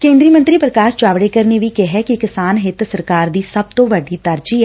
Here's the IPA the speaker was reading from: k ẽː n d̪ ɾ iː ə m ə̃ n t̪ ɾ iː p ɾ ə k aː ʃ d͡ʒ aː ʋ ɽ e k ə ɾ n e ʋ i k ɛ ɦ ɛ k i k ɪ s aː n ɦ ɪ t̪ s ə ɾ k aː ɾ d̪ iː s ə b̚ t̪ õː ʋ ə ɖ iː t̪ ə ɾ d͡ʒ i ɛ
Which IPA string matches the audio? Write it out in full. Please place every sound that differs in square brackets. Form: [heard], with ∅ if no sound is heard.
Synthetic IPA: k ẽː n d̪ ɾ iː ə m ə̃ n t̪ ɾ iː p ɾ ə k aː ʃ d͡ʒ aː ʋ ɽ e k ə ɾ n e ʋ i k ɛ ɦ ɛ k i k ɪ s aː n ɦ ɪ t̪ s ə ɾ k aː ɾ d̪ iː s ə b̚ t̪ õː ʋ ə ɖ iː t̪ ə ɾ d͡ʒ i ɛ